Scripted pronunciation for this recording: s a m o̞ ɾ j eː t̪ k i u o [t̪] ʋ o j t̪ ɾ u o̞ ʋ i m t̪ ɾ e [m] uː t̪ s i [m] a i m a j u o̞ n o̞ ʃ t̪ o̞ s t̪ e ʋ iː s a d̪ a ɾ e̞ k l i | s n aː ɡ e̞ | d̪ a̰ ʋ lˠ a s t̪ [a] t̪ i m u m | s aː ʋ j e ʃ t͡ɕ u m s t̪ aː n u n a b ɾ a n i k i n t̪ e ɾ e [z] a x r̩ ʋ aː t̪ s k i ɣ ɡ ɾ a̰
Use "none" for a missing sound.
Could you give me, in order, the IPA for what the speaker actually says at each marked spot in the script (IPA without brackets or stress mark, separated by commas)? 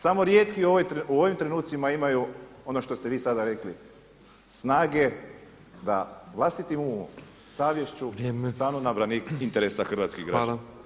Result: none, n, m, i, s